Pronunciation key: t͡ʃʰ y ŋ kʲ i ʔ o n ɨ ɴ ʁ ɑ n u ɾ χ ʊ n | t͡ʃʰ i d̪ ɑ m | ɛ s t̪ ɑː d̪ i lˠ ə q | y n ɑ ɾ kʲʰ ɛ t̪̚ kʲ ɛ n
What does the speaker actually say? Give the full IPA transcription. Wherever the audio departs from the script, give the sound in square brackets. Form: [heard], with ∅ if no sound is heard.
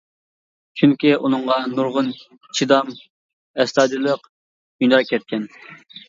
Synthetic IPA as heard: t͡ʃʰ y ŋ kʲ i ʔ [u] n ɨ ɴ ʁ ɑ n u ɾ [ʁ] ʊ n | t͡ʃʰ i d̪ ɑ m | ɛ s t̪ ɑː d̪ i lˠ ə q | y n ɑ ɾ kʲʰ ɛ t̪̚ kʲ ɛ n